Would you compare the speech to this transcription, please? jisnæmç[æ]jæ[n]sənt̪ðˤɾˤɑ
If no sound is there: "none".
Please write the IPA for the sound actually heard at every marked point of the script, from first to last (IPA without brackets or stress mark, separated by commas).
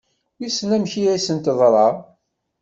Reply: i, none